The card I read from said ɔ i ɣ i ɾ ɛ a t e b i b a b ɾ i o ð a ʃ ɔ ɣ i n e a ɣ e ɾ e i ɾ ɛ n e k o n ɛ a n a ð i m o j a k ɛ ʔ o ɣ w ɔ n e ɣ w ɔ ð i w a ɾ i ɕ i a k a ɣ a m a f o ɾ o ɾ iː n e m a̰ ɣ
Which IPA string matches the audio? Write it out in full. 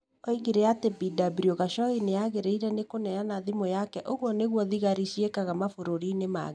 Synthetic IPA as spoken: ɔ i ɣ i ɾ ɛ a t e b i d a b ɾ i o ɣ a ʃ ɔ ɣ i n e a ɣ e ɾ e i ɾ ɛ n e k o n ɛ a n a ð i m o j a k ɛ ʔ o ɣ w ɔ n e ɣ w ɔ ð i ɣ a ɾ i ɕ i e k a ɣ a m a f o ɾ o ɾ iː n e m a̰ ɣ